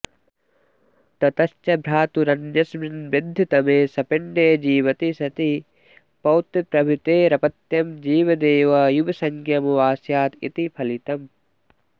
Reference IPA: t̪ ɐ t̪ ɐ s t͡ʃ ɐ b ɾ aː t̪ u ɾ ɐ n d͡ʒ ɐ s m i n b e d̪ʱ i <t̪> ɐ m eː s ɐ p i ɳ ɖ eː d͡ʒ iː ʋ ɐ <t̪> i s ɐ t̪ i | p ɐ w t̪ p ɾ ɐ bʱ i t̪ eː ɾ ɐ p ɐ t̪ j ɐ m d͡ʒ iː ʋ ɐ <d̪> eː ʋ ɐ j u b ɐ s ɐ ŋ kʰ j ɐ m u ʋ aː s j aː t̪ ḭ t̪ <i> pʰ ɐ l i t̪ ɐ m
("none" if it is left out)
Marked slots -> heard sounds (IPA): t̪, t̪, d̪, i

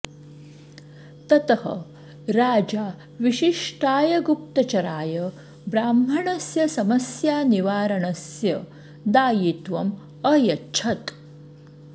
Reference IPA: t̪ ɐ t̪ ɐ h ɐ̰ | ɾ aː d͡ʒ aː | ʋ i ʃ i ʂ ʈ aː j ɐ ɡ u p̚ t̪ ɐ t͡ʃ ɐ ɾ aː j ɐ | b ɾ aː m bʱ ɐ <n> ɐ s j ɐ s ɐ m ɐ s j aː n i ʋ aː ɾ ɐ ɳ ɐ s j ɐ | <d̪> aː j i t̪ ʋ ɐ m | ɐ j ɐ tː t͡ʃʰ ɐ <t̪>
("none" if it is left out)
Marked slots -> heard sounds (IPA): ɳ, d̪, t̪

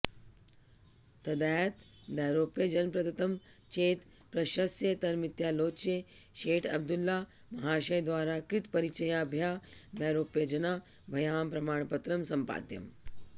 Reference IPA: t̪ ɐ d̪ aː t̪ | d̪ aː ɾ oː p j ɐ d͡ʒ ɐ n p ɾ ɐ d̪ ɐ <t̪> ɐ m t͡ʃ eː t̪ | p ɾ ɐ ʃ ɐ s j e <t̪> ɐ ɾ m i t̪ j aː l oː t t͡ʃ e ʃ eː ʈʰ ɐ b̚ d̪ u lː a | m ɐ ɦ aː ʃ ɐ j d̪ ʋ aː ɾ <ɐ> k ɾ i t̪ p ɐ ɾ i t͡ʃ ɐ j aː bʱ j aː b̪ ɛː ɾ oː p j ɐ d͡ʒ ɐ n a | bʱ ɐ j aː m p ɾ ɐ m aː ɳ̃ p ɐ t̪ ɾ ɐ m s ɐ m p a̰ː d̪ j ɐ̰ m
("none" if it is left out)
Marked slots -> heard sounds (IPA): t̪, t̪, a

